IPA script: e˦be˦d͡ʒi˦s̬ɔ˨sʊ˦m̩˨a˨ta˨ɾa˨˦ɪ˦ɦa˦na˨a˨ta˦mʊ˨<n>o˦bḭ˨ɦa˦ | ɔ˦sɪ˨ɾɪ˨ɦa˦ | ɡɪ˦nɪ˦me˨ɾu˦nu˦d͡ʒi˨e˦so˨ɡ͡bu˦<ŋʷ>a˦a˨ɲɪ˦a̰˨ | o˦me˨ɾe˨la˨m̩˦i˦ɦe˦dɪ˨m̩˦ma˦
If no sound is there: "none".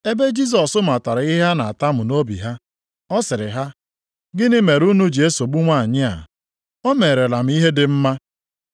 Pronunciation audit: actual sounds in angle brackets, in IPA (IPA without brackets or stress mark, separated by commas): n, ŋʷ